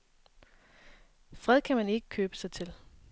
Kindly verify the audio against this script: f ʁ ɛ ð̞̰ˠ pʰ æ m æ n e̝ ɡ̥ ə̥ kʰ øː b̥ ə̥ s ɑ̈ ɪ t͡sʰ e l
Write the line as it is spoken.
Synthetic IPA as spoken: f ʁ ɛ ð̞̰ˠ kʰ æ m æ n e̝ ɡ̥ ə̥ kʰ øː b̥ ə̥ s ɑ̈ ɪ t͡sʰ e l